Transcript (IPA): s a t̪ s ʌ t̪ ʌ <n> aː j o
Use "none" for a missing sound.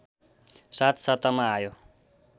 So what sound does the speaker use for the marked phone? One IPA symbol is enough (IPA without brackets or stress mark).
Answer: m